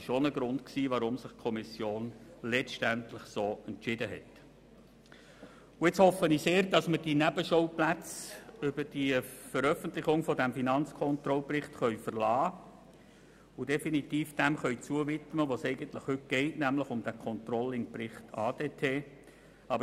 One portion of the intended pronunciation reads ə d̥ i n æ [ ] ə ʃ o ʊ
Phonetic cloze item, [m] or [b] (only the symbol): b